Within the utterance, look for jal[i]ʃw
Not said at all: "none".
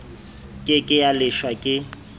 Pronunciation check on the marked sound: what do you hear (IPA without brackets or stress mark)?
ɪ